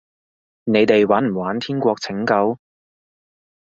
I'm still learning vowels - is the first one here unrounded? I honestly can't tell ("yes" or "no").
yes